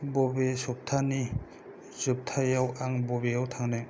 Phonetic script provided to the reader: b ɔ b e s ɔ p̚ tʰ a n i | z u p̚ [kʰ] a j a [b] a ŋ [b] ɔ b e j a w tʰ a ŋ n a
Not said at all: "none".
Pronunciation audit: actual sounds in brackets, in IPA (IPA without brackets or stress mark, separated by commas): tʰ, w, b